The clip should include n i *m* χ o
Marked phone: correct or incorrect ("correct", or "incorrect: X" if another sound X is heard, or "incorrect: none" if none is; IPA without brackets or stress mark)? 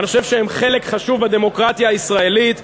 incorrect: none